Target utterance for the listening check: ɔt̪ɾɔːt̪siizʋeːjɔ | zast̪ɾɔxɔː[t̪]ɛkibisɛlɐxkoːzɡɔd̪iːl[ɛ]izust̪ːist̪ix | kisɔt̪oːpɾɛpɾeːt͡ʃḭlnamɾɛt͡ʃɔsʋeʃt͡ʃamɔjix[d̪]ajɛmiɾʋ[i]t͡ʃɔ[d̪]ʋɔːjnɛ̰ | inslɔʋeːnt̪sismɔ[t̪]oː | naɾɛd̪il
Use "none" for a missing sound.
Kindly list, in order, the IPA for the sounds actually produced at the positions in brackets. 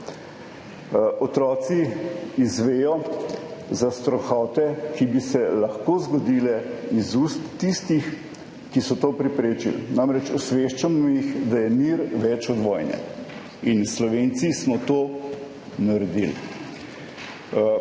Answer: t̪, ɛ, d̪, ɛ, d̪, t̪

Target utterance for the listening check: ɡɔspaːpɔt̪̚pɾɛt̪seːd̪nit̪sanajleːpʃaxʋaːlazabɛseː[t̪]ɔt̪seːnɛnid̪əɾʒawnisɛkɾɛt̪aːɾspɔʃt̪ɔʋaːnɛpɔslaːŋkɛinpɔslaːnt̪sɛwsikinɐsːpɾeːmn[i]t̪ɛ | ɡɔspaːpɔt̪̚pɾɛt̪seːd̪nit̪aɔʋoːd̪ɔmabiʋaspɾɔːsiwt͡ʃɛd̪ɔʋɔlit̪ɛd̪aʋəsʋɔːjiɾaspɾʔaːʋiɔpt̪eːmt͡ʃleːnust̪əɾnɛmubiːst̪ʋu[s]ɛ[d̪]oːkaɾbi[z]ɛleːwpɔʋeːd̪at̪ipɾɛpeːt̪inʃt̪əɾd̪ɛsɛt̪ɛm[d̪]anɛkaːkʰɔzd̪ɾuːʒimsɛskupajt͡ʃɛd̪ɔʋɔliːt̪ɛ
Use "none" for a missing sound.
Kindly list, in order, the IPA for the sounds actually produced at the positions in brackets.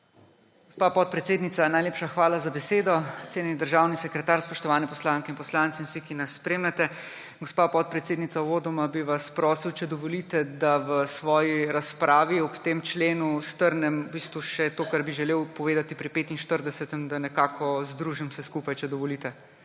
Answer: d̪, ɛ, ʃ, t̪, ʒ, d̪

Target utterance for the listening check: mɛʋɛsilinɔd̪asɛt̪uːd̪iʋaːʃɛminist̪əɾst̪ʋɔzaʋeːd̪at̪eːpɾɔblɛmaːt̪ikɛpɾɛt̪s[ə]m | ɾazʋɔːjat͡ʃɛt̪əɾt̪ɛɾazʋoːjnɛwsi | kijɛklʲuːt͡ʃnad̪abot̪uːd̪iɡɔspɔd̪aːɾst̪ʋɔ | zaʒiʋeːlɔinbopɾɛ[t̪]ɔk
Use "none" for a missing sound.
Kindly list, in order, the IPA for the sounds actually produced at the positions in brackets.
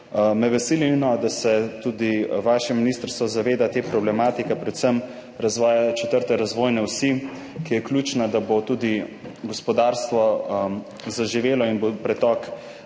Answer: ə, t̪

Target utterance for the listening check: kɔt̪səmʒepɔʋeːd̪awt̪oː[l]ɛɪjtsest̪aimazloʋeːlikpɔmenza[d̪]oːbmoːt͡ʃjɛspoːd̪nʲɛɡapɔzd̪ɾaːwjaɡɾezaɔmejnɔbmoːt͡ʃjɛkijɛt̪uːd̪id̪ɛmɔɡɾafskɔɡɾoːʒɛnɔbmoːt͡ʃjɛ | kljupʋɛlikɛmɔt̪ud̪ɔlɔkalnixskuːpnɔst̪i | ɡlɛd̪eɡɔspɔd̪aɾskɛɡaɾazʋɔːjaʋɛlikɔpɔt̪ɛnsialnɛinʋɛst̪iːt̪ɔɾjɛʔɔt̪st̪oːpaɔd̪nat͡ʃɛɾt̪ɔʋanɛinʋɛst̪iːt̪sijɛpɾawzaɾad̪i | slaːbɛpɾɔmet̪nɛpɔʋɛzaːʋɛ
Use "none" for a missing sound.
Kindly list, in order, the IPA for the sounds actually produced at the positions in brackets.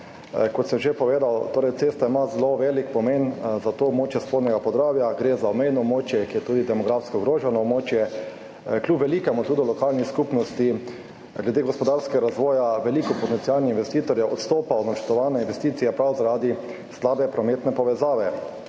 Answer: ɾ, t̪

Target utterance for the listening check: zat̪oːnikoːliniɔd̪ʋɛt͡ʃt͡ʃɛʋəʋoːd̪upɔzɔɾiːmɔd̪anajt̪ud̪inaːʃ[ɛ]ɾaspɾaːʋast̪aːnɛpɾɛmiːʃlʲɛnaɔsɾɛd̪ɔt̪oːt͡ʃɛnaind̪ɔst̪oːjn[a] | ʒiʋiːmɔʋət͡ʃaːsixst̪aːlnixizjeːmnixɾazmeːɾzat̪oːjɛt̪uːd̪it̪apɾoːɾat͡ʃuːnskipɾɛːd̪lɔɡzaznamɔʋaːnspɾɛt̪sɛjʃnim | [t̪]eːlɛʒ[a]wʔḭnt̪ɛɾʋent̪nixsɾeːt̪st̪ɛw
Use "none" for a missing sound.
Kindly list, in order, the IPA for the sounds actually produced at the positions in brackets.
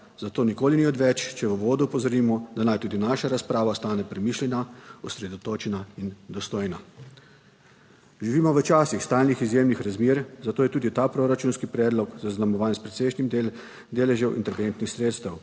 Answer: a, a, d̪, ɛ

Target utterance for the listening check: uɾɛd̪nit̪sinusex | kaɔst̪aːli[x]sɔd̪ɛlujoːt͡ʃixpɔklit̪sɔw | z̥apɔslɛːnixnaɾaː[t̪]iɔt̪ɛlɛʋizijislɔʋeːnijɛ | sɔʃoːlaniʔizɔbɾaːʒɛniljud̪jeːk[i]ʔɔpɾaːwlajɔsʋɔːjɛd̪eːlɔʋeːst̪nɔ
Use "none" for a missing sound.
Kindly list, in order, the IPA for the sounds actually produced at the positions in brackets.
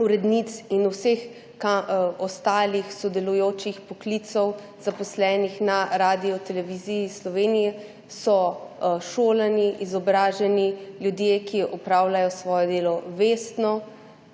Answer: x, d̪, i

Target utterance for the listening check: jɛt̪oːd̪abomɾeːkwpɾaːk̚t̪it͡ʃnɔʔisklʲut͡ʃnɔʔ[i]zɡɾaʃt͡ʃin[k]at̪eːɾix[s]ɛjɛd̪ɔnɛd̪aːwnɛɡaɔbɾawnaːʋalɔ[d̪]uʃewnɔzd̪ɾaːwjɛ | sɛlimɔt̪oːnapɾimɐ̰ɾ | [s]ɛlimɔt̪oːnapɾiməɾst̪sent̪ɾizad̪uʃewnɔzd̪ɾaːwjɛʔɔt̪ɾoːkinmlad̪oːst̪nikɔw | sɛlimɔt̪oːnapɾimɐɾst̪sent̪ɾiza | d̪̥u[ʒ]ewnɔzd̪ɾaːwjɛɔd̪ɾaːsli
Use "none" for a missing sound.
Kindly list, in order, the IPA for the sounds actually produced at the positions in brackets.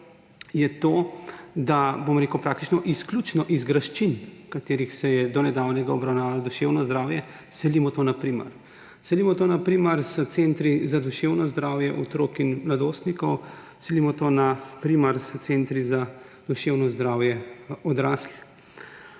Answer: i, k, s, d̪, s, ʃ

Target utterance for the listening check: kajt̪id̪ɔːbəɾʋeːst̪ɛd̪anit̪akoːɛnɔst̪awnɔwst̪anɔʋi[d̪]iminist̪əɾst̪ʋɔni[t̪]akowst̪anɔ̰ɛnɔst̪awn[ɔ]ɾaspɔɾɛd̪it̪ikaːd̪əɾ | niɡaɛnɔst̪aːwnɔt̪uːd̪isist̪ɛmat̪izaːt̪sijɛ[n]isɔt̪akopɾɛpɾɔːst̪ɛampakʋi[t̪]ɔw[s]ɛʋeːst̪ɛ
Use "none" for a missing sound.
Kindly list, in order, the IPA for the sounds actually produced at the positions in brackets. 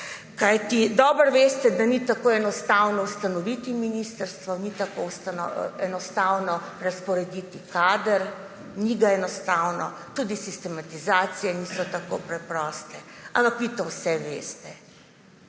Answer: t̪, t̪, ɔ, n, t̪, s

